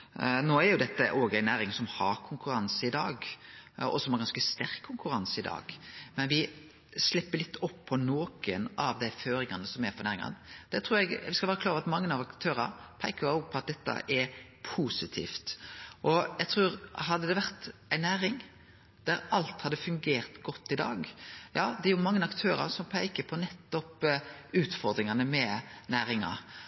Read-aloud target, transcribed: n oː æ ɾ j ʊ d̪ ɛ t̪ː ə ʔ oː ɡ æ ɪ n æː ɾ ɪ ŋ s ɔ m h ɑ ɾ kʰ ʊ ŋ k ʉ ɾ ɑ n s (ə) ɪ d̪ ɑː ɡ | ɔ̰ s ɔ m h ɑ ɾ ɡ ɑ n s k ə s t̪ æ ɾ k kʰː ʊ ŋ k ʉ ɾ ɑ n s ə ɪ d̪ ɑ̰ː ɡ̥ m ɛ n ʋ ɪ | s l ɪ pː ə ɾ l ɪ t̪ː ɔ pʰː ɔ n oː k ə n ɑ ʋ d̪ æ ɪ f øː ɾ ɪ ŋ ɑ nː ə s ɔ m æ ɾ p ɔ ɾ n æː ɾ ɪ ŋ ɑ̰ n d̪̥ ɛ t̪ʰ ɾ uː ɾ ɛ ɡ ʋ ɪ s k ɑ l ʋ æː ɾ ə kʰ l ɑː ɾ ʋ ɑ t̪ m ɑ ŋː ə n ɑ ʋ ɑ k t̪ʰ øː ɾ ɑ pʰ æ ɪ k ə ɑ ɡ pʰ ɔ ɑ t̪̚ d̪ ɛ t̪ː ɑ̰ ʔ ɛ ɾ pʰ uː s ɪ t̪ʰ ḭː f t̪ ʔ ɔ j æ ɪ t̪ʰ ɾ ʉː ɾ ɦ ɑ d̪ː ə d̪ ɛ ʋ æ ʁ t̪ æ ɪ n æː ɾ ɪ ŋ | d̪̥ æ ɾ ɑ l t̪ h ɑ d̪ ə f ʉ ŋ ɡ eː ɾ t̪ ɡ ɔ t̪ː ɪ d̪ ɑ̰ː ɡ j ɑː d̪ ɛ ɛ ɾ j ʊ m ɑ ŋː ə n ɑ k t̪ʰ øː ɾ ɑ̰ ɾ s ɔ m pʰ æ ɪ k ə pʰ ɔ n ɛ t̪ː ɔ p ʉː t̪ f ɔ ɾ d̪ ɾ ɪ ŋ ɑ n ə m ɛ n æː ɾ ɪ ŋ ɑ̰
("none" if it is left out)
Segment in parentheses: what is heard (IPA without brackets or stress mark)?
ə